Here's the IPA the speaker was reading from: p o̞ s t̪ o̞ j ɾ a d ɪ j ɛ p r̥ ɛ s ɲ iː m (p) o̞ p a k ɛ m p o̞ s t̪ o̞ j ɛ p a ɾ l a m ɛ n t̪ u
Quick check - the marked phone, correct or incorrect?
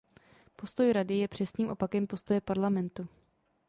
incorrect